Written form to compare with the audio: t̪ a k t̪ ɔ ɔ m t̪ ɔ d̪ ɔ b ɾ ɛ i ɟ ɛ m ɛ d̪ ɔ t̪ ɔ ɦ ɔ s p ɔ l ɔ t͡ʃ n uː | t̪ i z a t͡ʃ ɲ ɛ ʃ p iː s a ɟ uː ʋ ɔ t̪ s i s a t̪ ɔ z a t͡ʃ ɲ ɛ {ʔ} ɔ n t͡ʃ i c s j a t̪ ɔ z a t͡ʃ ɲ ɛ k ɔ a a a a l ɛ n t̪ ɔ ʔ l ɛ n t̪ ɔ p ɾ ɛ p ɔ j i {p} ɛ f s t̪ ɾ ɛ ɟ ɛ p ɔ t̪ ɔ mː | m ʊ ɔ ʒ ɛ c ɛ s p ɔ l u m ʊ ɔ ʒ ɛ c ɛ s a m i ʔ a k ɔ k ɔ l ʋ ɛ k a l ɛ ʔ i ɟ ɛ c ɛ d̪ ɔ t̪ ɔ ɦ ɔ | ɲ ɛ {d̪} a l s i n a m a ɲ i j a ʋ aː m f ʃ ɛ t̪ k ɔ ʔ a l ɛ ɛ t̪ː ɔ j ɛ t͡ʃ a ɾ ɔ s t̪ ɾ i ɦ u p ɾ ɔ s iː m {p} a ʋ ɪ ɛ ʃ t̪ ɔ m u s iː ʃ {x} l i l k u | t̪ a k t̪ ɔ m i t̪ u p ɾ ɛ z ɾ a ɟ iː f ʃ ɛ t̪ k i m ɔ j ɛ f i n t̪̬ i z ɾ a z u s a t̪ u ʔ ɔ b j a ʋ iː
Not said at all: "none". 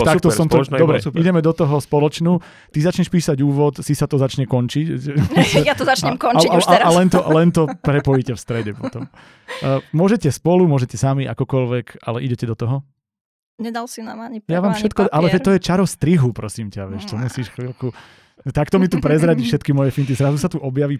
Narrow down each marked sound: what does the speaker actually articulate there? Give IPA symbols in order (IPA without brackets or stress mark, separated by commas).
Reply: k, c, d̪, c, x